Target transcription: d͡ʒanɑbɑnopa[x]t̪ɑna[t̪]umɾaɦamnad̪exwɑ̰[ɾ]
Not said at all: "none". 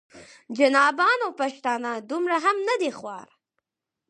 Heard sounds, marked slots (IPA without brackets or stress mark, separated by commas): ʃ, d̪, ɾ